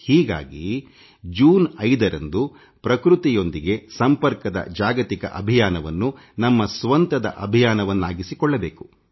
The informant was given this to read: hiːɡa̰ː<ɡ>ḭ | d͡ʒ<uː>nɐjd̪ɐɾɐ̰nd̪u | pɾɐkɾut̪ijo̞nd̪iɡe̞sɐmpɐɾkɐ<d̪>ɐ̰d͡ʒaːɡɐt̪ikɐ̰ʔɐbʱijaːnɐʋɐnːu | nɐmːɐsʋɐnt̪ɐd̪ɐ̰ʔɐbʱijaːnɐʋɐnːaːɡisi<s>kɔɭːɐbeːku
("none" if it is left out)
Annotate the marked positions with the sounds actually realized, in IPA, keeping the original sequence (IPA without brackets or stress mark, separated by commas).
ɡ, uː, d̪, none